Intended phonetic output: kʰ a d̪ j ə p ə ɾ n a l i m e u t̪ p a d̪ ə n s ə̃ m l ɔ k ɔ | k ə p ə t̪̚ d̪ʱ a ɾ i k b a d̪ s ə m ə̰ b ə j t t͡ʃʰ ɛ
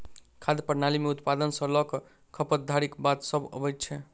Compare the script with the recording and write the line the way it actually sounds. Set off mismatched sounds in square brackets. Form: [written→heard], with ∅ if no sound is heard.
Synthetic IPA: kʰ a d̪ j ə p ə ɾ n a l i m e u t̪ p a d̪ ə n s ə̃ [m→∅] l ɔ k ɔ | [k→kʰ] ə p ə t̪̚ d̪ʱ a ɾ i k b a [d̪→t̪] s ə [m→b] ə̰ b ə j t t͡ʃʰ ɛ